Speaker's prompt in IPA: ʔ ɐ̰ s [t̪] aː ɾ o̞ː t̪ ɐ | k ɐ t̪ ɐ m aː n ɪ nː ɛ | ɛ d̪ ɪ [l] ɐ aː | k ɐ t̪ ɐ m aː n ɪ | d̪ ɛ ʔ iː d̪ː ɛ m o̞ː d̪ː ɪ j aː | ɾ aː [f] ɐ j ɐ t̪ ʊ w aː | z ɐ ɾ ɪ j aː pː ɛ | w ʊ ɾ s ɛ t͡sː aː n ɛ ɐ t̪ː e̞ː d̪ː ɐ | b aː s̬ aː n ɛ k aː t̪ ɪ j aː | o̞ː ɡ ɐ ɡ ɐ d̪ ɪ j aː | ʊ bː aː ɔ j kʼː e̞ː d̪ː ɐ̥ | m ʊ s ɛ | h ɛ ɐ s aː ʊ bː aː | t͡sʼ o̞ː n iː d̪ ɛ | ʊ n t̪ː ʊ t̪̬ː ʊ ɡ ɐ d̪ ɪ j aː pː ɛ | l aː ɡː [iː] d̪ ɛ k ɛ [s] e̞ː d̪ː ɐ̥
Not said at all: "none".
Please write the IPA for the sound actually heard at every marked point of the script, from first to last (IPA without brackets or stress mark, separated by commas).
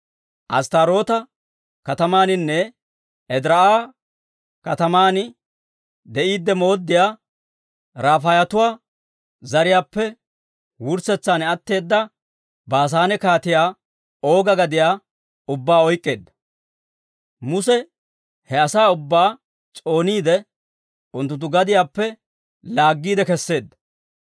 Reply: t̪, ɾ, f, iː, sː